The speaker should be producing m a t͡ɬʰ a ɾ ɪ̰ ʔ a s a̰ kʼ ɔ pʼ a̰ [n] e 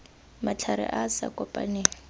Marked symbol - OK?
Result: yes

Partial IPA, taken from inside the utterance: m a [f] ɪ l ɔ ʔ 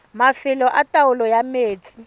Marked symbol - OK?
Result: yes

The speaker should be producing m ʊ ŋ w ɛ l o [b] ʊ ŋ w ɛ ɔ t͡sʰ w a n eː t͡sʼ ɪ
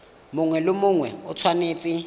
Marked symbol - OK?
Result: no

